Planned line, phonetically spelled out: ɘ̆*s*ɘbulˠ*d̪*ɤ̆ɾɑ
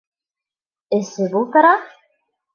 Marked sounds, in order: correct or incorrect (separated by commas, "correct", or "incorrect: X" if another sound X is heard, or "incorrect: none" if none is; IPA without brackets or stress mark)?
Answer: correct, incorrect: t̪